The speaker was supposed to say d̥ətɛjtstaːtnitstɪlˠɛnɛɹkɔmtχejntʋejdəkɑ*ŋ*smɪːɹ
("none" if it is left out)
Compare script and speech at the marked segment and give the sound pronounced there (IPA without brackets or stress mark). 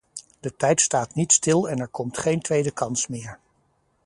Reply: n